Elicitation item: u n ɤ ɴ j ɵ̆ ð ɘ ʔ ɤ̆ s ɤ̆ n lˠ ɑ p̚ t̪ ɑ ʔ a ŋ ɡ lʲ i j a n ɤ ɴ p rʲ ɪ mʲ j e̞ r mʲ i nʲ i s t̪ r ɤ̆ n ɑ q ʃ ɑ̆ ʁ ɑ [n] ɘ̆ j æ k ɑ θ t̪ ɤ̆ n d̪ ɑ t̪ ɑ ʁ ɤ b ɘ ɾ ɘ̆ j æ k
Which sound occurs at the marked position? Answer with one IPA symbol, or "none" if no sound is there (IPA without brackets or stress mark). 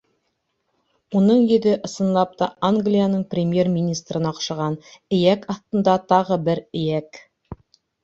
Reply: n